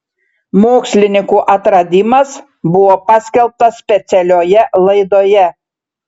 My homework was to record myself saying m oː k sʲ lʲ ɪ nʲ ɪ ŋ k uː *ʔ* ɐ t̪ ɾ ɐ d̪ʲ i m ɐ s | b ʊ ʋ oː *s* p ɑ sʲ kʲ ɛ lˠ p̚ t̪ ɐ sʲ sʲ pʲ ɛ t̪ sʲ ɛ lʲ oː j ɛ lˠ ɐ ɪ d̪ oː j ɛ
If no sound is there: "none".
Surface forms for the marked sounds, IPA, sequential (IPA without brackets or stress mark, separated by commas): ʔ, none